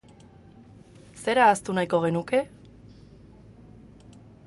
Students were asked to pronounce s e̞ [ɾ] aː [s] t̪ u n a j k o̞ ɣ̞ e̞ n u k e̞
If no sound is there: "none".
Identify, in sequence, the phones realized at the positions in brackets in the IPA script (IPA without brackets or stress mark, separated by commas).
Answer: ɾ, s